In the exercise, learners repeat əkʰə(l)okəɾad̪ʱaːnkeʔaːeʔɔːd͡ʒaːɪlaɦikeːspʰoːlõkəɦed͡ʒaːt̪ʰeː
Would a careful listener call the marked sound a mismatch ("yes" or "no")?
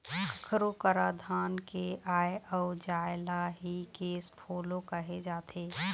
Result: yes